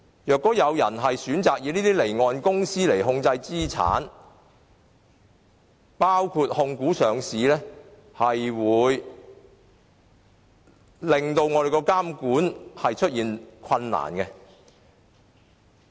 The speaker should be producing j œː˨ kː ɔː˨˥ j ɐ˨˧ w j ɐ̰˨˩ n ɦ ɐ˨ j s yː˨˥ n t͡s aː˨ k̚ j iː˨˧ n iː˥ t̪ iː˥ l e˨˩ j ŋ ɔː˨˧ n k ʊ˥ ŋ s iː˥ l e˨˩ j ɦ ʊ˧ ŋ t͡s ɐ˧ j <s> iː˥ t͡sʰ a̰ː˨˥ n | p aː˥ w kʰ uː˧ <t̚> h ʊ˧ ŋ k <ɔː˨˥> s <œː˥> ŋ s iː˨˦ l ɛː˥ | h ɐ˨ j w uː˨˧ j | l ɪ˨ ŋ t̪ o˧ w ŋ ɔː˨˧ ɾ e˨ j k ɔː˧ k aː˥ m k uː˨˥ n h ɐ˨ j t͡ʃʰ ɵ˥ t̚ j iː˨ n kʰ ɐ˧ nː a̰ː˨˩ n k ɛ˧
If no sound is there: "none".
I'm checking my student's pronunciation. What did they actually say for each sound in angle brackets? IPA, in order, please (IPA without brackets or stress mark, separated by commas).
t͡s, t̚, uː˨˥, œː˨